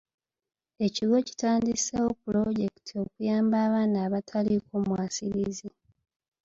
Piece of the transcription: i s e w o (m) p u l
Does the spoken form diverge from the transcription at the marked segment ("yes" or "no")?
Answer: yes